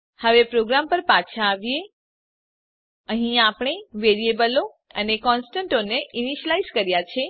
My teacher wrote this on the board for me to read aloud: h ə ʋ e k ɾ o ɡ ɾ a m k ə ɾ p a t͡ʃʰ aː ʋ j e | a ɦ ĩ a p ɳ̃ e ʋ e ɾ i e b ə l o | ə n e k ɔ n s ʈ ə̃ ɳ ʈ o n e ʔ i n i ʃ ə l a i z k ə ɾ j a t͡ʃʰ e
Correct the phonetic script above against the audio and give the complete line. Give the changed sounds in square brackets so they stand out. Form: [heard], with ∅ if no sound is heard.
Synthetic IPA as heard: h ə ʋ e [p] ɾ o ɡ ɾ a m [p] ə ɾ p a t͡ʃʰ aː ʋ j e | [ə] ɦ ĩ a p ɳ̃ e ʋ e ɾ i e b ə l o | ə n e k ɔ n s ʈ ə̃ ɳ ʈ o n e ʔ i n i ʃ ə l a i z k ə ɾ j a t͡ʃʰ e